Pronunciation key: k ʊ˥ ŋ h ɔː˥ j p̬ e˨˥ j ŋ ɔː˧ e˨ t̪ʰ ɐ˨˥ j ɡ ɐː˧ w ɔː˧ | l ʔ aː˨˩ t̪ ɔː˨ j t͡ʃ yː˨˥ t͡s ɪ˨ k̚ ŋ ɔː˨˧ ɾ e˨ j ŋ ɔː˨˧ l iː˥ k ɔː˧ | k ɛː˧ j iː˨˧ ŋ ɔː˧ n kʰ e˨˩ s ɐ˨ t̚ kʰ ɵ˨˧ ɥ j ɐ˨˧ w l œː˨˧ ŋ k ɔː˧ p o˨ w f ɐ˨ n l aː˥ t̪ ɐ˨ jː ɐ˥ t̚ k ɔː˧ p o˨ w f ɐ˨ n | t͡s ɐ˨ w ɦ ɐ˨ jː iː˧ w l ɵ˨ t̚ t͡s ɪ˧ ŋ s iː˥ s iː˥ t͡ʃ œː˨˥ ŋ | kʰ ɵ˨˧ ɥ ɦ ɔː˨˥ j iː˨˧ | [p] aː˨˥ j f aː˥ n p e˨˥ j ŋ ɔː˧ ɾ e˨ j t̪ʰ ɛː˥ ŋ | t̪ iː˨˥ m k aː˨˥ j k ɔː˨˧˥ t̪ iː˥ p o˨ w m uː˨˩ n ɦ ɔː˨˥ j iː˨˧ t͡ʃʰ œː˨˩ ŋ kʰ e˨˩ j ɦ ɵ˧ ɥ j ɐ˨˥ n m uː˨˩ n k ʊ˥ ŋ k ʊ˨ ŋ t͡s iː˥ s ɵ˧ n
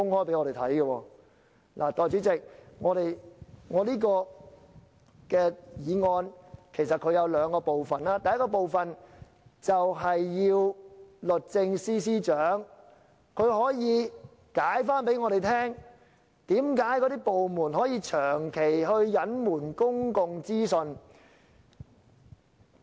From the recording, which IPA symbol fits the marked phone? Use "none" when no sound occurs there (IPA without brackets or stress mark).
k